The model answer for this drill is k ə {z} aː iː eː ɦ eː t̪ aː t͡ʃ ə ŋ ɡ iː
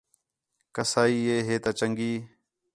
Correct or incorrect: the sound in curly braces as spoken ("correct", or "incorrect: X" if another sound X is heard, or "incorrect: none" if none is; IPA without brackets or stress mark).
incorrect: s